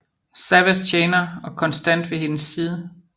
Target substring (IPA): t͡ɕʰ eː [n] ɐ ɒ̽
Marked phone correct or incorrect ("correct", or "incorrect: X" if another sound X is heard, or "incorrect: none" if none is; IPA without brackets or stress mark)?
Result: correct